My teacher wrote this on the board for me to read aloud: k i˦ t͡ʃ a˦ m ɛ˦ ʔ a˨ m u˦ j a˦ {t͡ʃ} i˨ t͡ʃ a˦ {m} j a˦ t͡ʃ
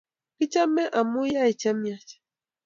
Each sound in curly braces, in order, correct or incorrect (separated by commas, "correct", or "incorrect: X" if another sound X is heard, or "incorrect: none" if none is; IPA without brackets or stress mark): incorrect: none, correct